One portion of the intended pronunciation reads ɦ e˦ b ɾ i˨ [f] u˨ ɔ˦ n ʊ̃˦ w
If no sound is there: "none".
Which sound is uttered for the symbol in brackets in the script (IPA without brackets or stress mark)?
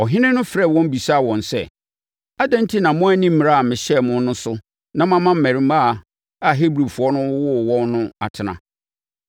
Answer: f